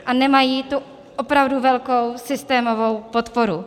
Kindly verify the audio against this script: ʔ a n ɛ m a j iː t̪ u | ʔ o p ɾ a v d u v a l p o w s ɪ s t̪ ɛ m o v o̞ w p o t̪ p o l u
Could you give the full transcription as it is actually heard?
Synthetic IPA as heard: ʔ a n ɛ m a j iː t̪ u | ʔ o p ɾ a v d u v ɛ l k o w s ɪ s t̪ ɛː m o v o̞ w p o t̪ p o ɾ u